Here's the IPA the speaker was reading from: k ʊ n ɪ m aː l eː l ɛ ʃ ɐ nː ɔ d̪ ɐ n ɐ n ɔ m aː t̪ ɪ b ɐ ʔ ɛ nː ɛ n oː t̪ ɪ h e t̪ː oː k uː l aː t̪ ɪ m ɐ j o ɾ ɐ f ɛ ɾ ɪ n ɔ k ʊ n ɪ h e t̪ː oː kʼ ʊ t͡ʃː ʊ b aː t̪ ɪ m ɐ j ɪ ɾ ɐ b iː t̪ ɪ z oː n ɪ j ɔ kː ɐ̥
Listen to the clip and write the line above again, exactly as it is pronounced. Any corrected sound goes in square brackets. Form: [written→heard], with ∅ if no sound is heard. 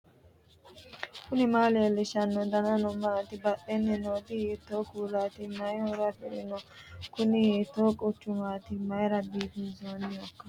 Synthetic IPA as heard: k ʊ n ɪ m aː l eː l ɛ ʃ ɐ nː ɔ d̪ ɐ n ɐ n ɔ m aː t̪ ɪ b ɐ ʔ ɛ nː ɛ n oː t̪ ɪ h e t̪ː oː k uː l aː t̪ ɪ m ɐ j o ɾ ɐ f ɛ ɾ ɪ n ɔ k ʊ n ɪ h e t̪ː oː kʼ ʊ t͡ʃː ʊ [b→m] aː t̪ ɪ m ɐ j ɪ ɾ ɐ b iː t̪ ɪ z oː n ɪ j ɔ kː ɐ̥